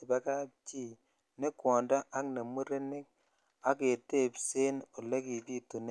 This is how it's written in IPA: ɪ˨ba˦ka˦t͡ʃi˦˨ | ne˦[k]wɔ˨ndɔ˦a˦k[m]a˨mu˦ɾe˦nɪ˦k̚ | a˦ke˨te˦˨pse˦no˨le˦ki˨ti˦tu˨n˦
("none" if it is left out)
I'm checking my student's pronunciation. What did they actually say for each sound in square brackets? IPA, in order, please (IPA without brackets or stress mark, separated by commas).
k, n